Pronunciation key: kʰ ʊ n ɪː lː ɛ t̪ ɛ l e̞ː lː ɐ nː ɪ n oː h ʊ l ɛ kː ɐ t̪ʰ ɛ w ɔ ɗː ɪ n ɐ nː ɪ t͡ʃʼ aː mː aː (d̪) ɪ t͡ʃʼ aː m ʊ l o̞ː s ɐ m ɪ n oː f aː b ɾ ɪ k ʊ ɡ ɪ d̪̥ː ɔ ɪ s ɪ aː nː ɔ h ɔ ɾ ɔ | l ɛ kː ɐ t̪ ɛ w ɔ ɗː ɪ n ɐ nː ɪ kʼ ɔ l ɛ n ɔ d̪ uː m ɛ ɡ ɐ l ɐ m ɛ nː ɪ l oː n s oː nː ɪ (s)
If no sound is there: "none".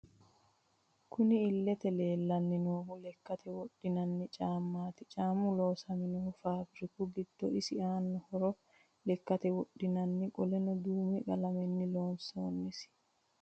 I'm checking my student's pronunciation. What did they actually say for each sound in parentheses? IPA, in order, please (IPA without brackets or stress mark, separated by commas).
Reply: t̪, s